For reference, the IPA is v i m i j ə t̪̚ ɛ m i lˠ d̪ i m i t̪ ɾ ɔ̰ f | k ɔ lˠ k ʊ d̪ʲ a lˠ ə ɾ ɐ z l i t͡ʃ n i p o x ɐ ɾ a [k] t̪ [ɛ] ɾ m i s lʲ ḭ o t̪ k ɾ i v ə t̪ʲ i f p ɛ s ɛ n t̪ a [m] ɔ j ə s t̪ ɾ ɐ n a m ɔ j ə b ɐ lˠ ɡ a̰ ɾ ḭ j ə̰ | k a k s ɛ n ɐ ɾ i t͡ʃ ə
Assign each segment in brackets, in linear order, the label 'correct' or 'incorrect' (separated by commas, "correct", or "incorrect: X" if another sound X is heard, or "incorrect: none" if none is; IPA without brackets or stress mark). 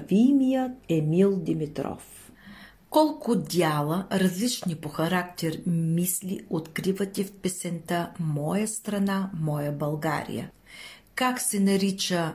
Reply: correct, correct, correct